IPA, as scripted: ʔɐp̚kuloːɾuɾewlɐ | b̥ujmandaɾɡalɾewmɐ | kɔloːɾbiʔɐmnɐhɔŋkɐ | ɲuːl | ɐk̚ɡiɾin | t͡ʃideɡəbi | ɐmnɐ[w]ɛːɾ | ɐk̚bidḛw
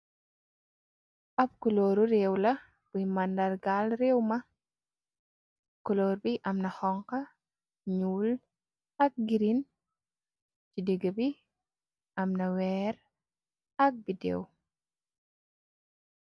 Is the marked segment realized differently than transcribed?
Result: no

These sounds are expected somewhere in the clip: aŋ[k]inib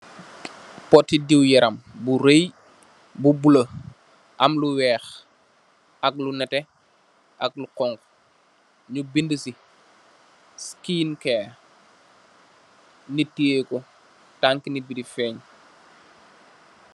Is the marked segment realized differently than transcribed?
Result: no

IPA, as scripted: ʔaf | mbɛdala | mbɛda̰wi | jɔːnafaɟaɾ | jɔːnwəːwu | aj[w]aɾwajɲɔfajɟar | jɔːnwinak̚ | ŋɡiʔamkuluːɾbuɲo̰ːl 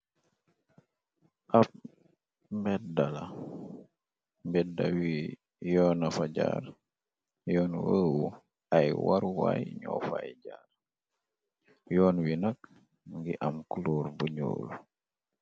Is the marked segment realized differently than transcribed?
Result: no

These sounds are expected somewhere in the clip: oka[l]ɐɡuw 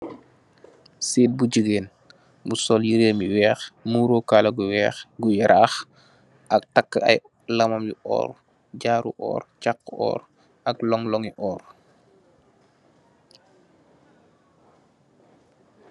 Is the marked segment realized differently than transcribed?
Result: no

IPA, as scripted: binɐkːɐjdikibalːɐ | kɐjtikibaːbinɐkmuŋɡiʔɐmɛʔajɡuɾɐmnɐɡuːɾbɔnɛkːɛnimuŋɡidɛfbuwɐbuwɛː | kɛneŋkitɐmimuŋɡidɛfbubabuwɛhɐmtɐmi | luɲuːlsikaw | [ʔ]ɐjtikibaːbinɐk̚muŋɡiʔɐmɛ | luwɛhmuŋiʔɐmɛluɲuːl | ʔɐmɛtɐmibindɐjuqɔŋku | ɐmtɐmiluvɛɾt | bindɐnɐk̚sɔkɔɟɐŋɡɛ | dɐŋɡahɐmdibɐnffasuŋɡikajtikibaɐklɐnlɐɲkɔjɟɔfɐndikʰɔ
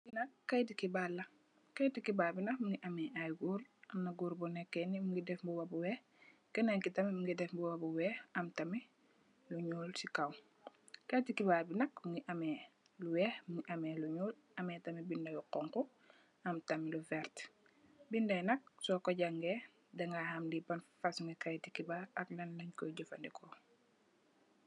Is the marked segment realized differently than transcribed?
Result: yes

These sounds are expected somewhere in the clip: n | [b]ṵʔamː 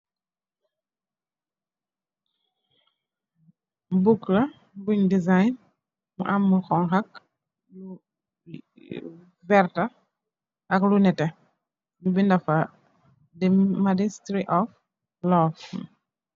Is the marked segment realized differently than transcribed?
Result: yes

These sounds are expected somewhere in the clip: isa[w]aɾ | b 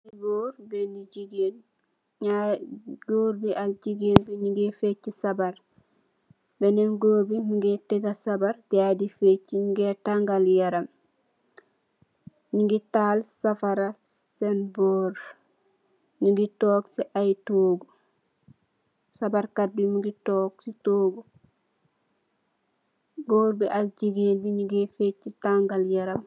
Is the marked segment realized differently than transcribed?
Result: yes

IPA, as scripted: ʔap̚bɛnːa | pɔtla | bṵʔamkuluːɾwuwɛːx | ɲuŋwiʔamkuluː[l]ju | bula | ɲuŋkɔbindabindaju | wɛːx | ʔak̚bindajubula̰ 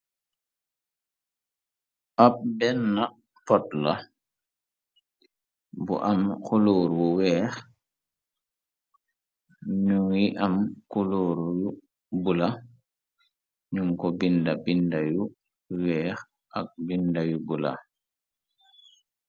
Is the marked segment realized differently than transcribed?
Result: yes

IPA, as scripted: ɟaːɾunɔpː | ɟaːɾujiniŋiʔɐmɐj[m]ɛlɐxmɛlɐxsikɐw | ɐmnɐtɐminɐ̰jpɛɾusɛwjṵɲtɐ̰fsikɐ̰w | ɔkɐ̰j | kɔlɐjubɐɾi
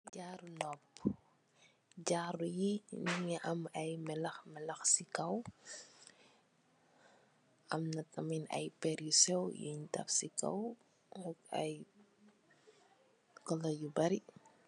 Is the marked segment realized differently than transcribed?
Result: no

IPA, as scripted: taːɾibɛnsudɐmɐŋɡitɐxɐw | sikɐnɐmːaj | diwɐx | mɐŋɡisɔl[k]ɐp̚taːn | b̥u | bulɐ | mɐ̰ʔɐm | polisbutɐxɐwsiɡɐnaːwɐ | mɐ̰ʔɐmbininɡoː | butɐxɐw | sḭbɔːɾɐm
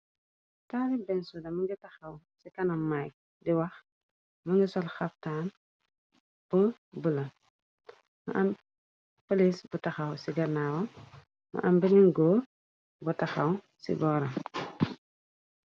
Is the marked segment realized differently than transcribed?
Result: yes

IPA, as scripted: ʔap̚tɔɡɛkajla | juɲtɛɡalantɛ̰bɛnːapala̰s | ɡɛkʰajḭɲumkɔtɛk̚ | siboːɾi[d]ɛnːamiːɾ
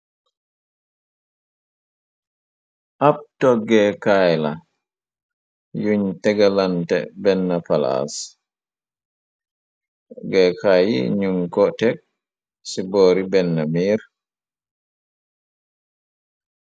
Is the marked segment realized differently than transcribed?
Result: yes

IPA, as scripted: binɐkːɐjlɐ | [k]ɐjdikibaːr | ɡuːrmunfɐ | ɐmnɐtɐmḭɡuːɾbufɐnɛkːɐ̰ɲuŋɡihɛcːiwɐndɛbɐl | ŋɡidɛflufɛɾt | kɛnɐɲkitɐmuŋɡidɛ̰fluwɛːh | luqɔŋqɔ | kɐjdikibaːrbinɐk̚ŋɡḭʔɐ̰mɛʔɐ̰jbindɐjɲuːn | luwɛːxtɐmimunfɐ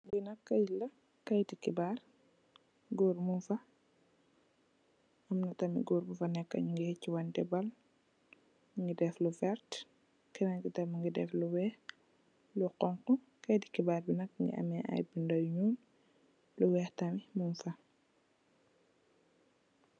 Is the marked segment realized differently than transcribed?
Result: no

